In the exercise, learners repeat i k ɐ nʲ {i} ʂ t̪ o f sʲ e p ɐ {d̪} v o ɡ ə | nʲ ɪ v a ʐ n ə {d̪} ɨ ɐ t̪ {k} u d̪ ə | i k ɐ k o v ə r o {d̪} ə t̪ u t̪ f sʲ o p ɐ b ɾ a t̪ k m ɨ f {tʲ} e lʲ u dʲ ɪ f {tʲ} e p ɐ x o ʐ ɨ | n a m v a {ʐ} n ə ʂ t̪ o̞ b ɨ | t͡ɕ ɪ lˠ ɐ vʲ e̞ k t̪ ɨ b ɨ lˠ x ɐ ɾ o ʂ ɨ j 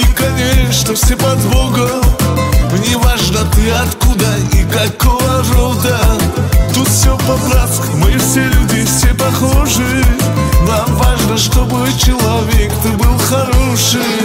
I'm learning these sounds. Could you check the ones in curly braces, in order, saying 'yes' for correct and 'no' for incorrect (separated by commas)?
no, yes, no, yes, yes, no, no, yes